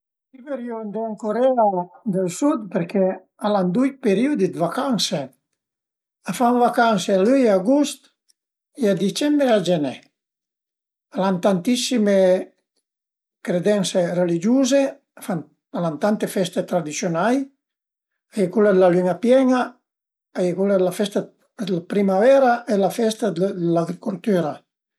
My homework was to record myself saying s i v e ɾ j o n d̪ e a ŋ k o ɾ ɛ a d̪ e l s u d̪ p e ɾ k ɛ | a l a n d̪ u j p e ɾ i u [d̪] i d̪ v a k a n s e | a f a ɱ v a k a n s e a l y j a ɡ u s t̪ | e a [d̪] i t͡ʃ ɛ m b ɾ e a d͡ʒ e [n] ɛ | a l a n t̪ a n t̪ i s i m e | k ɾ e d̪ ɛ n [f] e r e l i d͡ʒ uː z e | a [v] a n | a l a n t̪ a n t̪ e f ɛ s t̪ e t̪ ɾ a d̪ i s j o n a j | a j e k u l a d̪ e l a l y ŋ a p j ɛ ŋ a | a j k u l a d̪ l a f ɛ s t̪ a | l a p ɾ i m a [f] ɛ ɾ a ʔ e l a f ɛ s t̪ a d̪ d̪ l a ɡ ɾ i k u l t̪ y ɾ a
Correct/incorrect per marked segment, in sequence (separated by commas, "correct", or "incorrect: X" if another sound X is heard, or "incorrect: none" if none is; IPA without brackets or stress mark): correct, correct, correct, incorrect: s, incorrect: f, incorrect: v